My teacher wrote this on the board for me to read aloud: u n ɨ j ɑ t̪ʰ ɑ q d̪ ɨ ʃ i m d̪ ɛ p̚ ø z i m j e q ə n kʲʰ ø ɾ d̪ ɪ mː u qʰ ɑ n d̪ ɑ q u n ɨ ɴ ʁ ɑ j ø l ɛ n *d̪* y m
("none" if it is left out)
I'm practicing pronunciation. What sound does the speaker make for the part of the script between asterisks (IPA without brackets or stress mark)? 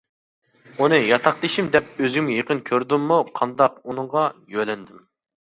d̪